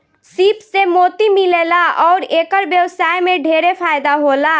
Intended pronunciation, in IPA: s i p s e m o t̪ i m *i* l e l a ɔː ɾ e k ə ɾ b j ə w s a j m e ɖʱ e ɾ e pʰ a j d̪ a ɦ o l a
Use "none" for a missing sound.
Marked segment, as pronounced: i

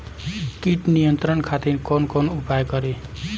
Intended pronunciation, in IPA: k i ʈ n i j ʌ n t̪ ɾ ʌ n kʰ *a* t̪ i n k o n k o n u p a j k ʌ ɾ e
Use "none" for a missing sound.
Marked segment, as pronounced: a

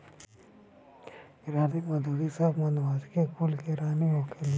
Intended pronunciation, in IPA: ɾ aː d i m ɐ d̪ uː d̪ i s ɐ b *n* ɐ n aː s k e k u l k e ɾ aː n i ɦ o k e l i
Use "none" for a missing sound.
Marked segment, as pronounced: m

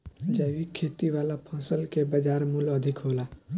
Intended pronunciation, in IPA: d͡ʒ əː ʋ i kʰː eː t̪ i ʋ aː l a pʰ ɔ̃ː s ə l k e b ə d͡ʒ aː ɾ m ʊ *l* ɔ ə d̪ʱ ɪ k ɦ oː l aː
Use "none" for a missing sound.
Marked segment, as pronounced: l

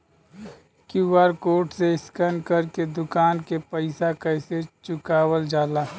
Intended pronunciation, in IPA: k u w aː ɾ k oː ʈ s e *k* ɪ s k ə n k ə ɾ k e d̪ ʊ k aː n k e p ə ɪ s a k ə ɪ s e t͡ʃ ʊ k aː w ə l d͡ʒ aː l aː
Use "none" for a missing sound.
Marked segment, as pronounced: none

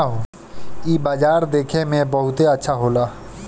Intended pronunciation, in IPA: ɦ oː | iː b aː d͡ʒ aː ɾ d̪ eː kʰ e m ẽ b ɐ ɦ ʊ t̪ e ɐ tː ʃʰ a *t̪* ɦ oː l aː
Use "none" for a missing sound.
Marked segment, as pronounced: none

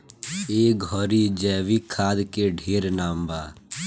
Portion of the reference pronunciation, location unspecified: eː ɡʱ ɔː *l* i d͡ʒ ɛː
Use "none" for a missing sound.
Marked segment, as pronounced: ɾ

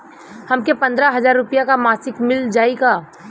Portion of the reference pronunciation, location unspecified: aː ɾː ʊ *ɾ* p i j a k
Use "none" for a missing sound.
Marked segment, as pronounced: none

